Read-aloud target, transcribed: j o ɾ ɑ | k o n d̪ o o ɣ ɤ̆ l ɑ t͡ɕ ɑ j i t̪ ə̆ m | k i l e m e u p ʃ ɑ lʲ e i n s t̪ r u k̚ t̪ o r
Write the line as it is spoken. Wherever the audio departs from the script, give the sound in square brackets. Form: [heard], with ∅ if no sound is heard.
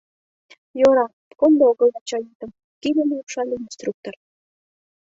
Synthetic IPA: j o ɾ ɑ | k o n d̪ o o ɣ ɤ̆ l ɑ t͡ɕ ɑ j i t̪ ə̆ m | k i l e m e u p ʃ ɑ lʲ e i n s t̪ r u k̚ t̪ o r